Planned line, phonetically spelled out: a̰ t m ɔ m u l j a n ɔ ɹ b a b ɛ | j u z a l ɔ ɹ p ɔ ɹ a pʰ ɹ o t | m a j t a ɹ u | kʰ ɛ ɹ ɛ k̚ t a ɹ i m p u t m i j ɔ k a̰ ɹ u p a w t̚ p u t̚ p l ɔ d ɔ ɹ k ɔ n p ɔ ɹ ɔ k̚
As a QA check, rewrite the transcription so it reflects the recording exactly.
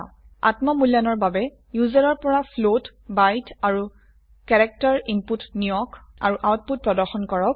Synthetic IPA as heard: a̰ t m ɔ m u l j a n ɔ ɹ b a b ɛ | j u z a ɹ ɔ ɹ p ɔ ɹ a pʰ l o t | b a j t a ɹ u | k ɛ ɹ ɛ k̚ t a ɹ i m p u t n i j ɔ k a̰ ɹ u ʔ a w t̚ p u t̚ p ɹ ɔ d ɔ ɹ x ɔ n k ɔ ɹ ɔ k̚